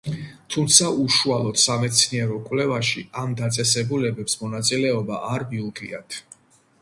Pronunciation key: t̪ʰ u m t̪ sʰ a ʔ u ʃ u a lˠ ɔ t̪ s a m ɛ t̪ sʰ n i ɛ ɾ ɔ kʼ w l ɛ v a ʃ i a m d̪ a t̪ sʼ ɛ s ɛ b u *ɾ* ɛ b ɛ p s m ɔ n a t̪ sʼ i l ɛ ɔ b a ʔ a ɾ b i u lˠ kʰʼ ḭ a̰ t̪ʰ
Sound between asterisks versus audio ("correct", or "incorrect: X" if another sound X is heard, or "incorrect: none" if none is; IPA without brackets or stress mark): incorrect: l